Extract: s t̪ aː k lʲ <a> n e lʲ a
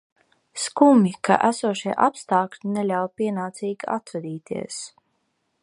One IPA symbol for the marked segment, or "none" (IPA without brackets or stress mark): i